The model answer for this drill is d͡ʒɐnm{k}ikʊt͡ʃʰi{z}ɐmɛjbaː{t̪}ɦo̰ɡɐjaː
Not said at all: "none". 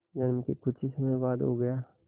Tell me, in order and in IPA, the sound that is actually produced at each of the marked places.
k, s, d̪

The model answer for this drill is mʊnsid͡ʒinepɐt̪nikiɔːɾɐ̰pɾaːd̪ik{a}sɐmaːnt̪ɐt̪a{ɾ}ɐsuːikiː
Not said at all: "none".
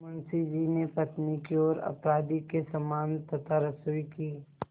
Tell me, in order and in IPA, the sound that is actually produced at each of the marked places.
e, ɾ

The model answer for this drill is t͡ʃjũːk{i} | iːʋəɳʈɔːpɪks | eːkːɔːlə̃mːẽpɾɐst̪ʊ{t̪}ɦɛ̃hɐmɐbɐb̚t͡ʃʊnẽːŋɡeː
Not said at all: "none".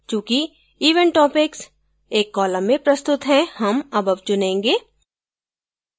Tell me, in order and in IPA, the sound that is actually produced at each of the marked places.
i, t̪

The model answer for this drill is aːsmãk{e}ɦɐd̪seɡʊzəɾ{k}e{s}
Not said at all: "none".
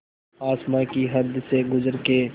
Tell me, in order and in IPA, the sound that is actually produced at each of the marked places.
i, k, none

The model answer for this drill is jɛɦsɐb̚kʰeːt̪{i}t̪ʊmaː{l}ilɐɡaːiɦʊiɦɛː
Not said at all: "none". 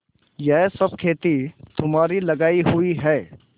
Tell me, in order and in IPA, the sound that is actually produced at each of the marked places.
i, ɾ

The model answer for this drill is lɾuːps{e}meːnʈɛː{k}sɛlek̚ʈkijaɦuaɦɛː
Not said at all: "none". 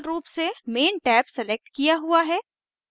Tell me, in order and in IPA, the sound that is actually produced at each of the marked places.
e, p

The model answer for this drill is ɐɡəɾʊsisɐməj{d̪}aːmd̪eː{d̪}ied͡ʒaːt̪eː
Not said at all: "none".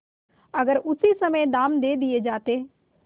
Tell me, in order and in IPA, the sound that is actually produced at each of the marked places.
d̪, d̪

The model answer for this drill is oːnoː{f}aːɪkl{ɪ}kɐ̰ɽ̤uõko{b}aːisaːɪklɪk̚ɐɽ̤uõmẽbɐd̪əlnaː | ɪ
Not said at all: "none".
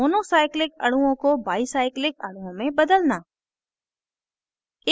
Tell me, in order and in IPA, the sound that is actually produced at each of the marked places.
s, ɪ, b

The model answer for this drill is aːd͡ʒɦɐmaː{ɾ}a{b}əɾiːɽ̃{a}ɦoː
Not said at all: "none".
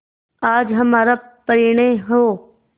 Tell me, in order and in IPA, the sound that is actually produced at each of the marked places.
ɾ, p, e

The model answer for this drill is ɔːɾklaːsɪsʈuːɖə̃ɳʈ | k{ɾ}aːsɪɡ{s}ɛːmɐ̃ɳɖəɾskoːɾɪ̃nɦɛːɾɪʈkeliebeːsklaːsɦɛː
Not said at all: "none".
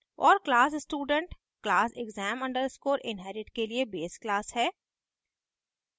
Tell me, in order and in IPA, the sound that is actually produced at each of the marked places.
l, z

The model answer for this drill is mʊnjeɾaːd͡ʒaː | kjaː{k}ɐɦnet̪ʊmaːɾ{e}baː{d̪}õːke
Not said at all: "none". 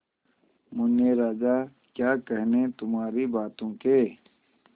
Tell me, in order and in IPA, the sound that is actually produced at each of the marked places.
k, i, t̪

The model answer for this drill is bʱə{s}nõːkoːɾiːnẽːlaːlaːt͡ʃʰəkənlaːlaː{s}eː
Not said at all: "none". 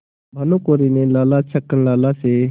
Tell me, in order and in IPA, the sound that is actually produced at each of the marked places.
none, s

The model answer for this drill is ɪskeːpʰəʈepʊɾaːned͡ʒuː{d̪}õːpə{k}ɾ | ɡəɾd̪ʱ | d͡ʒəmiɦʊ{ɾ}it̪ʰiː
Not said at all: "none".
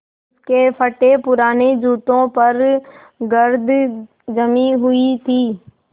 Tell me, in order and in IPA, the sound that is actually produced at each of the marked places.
t̪, none, none

